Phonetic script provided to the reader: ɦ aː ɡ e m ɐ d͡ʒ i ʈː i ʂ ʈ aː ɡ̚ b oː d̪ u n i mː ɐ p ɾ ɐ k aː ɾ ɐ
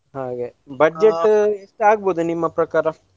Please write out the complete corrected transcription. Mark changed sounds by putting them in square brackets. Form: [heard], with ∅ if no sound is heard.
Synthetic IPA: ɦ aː ɡ e [b] ɐ d͡ʒ [e] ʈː [e] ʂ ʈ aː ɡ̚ b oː d̪ u n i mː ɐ p ɾ ɐ k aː ɾ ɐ

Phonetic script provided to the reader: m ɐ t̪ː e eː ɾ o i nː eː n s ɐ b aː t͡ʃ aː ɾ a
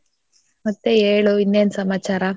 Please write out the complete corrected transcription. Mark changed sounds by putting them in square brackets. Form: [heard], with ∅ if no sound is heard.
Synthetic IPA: m ɐ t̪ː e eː [ɭ] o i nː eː n s ɐ [m] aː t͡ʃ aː ɾ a

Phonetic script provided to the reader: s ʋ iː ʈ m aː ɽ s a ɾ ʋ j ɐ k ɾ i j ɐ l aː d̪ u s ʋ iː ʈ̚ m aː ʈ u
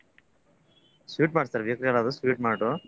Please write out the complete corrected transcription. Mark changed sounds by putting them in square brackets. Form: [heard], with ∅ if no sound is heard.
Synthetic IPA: s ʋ iː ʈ m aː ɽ s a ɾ ʋ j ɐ k ɾ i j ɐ l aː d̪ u s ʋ iː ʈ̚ m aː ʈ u

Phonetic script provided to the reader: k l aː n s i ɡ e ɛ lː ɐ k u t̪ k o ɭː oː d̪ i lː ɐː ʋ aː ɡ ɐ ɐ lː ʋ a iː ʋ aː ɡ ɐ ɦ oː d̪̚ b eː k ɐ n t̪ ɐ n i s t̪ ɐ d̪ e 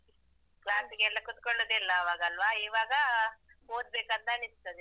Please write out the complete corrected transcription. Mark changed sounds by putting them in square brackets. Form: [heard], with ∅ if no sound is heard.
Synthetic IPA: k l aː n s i ɡ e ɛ lː ɐ k u t̪ k o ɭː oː d̪ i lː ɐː ʋ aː ɡ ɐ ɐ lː ʋ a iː ʋ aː ɡ ɐ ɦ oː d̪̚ b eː k ɐ n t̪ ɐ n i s t̪ ɐ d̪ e

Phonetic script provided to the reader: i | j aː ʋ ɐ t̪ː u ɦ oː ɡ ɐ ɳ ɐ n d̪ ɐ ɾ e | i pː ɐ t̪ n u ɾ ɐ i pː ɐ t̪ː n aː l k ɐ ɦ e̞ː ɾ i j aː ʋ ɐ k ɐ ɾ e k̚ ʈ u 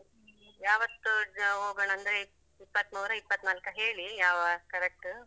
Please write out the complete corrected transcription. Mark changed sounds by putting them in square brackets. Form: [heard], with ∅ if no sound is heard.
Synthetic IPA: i | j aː ʋ ɐ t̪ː u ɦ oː ɡ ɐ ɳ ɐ n d̪ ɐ ɾ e | i pː ɐ t̪ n [uː] ɾ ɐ i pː ɐ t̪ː n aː l k ɐ ɦ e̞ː [ɭ] i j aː ʋ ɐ k ɐ ɾ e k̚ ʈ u

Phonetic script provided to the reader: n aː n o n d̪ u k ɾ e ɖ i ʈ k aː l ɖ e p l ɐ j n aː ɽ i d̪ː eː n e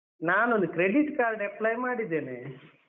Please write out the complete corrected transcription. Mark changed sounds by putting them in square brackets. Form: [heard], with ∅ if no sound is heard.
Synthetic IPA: n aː n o n d̪ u k ɾ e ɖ i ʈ k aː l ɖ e p l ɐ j [m] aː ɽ i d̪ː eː n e

